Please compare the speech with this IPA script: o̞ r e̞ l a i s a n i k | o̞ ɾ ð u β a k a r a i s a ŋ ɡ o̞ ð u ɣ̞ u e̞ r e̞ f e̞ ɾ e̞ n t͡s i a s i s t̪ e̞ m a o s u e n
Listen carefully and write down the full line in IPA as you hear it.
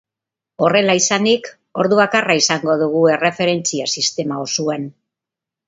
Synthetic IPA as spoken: o̞ r e̞ l a i s a n i k | o̞ ɾ ð u β a k a r a i s a ŋ ɡ o̞ ð u ɣ̞ u e̞ r e̞ f e̞ ɾ e̞ n t͡s i a s i s t̪ e̞ m a o s u e n